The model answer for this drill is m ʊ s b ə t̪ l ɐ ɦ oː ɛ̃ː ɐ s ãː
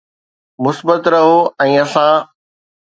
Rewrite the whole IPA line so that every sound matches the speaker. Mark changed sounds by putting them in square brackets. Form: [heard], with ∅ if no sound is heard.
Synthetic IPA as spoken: m ʊ s b ə t̪ [ɾ] ɐ ɦ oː ɛ̃ː ɐ s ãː